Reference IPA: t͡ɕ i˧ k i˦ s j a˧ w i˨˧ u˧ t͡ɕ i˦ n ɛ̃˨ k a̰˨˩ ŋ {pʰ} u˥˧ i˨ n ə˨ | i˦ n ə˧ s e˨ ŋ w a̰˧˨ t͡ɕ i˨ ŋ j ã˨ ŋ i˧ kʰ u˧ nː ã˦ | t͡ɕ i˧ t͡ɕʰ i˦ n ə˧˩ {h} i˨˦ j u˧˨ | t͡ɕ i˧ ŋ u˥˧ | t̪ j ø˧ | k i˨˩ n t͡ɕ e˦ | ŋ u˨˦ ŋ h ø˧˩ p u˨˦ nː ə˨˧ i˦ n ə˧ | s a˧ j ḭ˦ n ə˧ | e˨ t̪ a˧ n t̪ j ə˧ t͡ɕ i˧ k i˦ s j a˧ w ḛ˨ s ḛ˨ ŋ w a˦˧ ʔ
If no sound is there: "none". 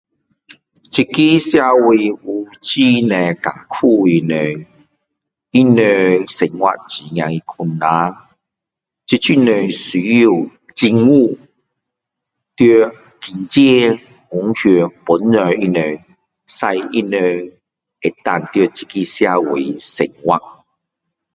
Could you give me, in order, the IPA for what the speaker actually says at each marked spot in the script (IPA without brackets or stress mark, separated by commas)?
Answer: kʰ, s